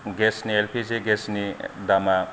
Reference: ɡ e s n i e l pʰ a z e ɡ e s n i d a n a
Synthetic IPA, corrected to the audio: ɡ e s n i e l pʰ i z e ɡ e s n i d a m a